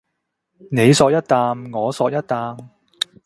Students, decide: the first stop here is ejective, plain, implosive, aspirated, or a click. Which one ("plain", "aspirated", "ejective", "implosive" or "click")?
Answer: plain